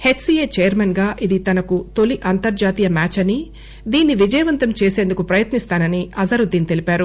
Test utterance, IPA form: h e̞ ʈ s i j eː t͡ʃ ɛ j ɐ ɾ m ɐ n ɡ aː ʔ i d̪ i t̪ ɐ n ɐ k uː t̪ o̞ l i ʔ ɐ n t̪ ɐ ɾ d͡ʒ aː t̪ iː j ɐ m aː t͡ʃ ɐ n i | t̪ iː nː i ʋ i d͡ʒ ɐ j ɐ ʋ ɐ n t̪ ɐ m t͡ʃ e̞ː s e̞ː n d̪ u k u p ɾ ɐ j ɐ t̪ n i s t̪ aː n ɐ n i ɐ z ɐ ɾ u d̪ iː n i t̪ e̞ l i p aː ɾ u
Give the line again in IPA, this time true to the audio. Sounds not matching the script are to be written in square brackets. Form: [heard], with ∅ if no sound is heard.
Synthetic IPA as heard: h e̞ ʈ s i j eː t͡ʃ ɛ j ɐ ɾ m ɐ n ɡ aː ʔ i d̪ i t̪ ɐ n ɐ k [u] t̪ o̞ l i ʔ ɐ n t̪ ɐ ɾ d͡ʒ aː t̪ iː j ɐ m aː t͡ʃ ɐ n i | [d̪] iː nː i ʋ i d͡ʒ ɐ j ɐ ʋ ɐ n t̪ ɐ m t͡ʃ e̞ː s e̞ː n d̪ u k u p ɾ ɐ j ɐ t̪ n i s t̪ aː n ɐ n i ɐ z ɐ ɾ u d̪ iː n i t̪ e̞ l i p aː ɾ u